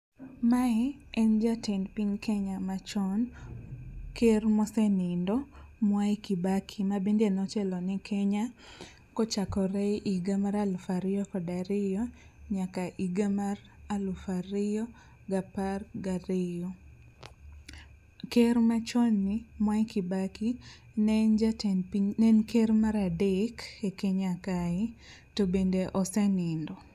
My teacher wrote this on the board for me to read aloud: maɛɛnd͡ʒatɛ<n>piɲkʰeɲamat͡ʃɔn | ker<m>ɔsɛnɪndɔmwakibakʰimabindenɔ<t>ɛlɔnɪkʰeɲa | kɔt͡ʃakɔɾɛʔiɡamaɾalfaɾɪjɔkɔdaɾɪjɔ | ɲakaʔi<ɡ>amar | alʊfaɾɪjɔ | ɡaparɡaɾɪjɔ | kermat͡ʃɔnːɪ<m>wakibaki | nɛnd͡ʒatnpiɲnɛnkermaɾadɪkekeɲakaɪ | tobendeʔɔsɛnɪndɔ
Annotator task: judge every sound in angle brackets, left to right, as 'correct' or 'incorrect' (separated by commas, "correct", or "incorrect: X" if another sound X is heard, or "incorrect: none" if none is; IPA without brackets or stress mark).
correct, correct, incorrect: t͡ʃ, correct, correct